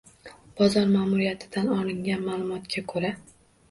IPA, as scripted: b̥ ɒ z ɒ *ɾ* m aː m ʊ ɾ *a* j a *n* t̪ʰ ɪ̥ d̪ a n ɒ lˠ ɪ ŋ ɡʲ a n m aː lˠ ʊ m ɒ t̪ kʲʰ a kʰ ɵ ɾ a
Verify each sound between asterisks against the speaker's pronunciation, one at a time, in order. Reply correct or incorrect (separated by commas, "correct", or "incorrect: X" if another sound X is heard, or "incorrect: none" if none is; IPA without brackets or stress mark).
correct, incorrect: i, incorrect: none